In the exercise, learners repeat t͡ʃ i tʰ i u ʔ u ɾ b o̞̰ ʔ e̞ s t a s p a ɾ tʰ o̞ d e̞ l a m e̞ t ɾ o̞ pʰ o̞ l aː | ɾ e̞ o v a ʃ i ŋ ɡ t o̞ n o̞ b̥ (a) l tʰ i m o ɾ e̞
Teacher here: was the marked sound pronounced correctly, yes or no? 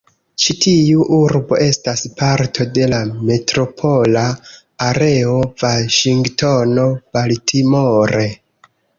yes